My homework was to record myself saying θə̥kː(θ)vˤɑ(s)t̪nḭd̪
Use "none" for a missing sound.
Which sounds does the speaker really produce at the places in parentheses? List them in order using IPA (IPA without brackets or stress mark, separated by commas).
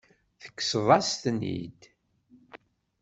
s, s